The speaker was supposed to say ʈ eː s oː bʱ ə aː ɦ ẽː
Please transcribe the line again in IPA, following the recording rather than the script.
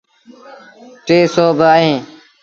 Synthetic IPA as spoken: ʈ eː s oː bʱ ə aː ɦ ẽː